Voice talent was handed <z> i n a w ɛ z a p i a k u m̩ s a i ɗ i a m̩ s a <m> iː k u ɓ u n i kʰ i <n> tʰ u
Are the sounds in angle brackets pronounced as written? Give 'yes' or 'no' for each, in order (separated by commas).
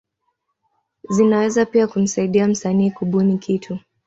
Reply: yes, no, no